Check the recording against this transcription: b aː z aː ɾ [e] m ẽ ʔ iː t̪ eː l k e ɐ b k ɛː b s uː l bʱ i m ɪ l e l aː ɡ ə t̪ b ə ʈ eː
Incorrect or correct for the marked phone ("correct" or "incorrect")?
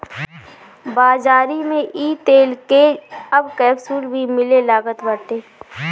incorrect